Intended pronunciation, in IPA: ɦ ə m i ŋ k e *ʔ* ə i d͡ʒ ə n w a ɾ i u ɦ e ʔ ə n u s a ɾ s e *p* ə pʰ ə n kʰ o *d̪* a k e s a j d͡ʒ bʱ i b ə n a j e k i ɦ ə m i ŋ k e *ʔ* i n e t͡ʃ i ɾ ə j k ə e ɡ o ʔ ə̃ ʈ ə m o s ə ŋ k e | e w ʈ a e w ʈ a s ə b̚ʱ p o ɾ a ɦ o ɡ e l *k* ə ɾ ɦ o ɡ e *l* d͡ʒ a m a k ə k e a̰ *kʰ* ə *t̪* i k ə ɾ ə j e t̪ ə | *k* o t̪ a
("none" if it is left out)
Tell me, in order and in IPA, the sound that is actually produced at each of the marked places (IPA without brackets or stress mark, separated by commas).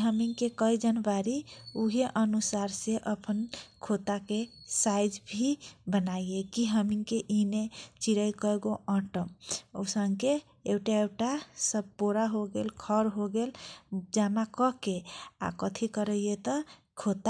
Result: k, ʔ, t̪, ʔ, kʰ, l, k, t̪ʰ, kʰ